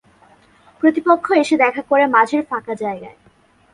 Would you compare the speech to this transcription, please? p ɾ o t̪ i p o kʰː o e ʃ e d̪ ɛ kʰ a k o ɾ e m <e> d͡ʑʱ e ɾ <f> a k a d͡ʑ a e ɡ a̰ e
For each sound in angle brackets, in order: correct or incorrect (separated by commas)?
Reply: incorrect, correct